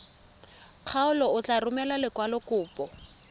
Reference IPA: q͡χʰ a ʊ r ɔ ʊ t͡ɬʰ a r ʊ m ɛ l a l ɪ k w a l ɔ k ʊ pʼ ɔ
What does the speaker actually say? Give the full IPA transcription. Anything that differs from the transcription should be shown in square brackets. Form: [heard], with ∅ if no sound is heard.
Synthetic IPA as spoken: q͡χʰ a ʊ [l] ɔ ʊ [t͡ɬ] a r ʊ m ɛ l a l ɪ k w a l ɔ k [ʊː] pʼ ɔ